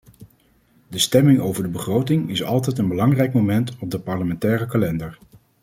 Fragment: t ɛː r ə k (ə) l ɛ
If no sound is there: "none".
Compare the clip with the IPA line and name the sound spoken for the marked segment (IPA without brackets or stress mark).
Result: a